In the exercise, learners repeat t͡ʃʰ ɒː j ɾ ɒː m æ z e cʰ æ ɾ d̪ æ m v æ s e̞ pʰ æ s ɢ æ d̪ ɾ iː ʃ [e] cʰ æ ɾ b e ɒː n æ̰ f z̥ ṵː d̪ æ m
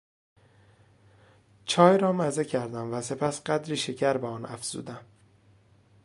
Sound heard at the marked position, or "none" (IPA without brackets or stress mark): e